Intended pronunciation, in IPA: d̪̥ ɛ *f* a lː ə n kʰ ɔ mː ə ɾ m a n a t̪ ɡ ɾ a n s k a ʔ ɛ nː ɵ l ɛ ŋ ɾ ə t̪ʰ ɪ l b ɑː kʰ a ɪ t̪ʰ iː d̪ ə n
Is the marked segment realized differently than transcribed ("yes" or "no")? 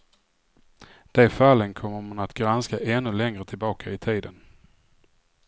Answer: no